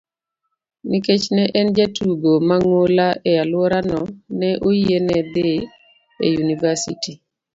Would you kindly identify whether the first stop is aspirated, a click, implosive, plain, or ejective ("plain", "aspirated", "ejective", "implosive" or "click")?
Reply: plain